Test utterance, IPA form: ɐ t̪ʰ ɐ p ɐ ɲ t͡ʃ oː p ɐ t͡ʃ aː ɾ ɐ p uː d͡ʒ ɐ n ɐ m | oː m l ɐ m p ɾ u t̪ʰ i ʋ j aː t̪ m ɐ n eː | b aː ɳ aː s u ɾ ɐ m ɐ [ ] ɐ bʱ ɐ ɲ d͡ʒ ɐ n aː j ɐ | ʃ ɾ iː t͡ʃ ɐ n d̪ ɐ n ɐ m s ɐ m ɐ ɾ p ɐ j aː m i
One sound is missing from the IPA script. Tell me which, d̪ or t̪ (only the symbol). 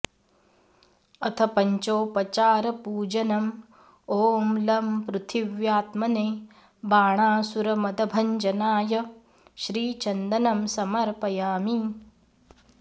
d̪